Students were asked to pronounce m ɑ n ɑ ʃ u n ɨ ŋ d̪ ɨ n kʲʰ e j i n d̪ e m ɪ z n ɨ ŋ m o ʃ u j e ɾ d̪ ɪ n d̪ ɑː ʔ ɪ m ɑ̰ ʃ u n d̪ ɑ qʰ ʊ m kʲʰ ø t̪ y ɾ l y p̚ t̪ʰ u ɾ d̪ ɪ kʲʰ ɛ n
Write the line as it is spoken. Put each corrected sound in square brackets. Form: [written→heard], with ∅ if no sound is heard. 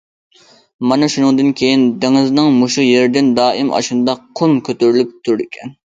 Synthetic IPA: m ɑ n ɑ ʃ u n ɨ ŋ d̪ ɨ n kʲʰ e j i n d̪ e [m→ŋ] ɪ z n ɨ ŋ m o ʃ u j e ɾ d̪ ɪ n d̪ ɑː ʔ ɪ m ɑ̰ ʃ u n d̪ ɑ qʰ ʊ m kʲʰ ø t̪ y ɾ l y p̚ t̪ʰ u ɾ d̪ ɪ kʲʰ ɛ n